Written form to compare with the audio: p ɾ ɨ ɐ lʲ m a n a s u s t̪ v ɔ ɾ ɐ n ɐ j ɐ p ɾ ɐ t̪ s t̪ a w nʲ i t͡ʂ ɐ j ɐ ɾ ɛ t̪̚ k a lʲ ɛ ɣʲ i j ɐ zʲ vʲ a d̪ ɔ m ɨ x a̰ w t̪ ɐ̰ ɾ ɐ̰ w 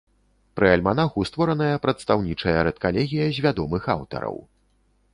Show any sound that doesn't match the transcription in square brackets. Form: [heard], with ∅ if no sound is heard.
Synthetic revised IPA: p ɾ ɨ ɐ lʲ m a n a [x] u s t̪ v ɔ ɾ ɐ n ɐ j ɐ p ɾ ɐ t̪ s t̪ a w nʲ i t͡ʂ ɐ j ɐ ɾ ɛ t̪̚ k a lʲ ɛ ɣʲ i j ɐ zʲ vʲ a d̪ ɔ m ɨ x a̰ w t̪ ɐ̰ ɾ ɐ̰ w